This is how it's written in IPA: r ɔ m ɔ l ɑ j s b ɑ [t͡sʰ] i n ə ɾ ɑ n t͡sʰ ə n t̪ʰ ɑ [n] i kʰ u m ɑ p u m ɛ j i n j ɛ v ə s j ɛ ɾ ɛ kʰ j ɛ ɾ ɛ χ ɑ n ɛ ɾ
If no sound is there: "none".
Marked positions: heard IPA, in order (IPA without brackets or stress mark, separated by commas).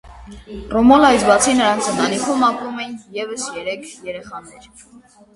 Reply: t͡sʰ, n